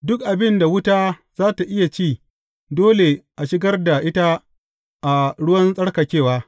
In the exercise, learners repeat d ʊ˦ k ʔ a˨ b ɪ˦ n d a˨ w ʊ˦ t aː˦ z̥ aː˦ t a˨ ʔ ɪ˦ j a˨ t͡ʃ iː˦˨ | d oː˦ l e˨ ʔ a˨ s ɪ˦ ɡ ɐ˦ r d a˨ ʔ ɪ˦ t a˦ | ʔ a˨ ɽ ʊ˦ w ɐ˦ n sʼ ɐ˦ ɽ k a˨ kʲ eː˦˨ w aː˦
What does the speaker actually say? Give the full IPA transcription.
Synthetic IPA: d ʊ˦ k ʔ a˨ b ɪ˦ n d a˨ w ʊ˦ t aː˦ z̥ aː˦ t a˨ ʔ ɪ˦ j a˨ t͡ʃ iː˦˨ | d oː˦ l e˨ ʔ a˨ ʃ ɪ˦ ɡ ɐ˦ r d a˨ ʔ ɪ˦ t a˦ | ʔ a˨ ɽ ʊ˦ w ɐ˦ n sʼ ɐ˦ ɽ k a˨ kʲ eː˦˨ w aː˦